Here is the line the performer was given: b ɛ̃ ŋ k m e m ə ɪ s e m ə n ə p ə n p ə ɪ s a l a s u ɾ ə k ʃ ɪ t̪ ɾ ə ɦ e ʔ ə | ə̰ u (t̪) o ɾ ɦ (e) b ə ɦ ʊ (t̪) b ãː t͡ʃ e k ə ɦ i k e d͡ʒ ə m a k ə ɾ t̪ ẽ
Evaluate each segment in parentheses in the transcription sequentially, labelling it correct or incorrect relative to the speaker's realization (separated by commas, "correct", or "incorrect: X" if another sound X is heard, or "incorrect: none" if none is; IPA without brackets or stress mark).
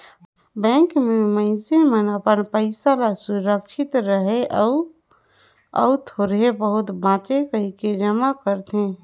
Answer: incorrect: t̪ʰ, correct, correct